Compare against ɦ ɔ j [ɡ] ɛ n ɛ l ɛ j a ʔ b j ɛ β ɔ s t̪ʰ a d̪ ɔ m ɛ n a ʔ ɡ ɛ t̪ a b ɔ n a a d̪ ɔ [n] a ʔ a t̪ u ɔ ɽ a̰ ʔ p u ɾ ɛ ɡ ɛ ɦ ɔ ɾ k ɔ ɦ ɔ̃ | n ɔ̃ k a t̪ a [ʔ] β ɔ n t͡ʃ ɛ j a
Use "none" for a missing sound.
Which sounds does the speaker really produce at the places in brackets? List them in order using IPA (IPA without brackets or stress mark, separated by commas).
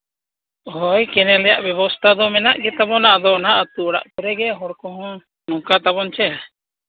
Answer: k, n, none